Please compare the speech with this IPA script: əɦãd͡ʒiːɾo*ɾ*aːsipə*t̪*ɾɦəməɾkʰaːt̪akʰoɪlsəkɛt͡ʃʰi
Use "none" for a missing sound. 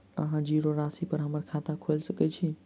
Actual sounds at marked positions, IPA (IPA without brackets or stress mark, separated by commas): ɾ, none